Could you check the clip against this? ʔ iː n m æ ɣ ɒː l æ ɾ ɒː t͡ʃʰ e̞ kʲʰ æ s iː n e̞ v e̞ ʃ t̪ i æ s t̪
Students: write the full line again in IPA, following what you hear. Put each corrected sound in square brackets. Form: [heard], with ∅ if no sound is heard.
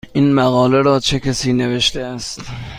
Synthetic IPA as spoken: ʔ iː n m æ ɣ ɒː l [e] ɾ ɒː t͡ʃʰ e̞ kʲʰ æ s iː n e̞ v e̞ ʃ t̪ [e] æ s t̪